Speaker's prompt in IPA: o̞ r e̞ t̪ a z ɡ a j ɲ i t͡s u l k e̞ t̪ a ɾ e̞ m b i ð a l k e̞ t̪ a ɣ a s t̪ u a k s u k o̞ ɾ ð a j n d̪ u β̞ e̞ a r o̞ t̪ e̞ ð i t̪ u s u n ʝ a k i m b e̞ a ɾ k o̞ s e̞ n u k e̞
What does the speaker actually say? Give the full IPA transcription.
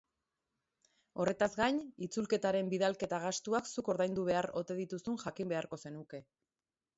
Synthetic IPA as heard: o̞ r e̞ t̪ a z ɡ a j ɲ i t͡s u l k e̞ t̪ a ɾ e̞ m b i ð a l k e̞ t̪ a ɣ a s t̪ u a k s u k o̞ ɾ ð a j n d̪ u β̞ e̞ a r o̞ t̪ e̞ ð i t̪ u s u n ʝ a k i m b e̞ a ɾ k o̞ s e̞ n u k e̞